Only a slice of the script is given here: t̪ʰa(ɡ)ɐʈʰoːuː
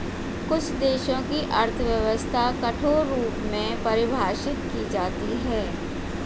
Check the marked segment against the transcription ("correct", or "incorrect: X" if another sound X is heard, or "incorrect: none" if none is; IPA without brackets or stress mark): incorrect: k